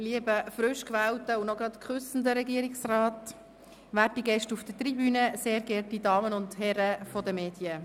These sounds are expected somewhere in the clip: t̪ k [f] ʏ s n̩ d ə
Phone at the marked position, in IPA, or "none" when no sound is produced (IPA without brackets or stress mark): χ